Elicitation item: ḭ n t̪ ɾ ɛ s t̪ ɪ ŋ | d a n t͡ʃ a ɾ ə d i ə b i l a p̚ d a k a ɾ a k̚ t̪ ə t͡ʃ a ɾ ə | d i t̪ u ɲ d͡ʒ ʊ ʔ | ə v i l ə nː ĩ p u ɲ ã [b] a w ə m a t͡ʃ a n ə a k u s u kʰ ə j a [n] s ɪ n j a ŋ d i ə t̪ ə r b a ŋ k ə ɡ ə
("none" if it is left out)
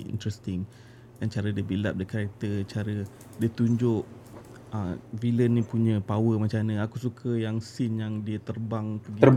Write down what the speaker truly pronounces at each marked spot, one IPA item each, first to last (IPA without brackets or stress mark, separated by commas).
p, ŋ